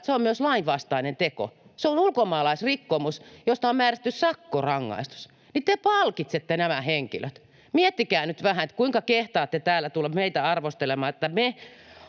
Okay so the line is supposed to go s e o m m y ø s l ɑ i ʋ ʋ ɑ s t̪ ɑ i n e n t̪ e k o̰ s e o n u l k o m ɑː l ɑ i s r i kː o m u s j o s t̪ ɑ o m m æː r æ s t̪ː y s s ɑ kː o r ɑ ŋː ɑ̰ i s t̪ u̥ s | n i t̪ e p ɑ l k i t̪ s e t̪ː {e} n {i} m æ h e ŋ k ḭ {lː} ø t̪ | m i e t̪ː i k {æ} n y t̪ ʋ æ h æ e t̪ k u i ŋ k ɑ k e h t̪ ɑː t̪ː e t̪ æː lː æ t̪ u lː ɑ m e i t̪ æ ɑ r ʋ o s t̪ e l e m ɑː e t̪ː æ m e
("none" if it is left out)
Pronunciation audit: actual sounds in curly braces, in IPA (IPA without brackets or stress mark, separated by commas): e, æ, l, æː